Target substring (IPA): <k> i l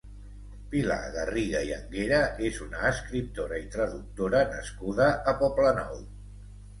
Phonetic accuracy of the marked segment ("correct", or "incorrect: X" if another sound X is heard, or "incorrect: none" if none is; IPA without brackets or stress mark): incorrect: p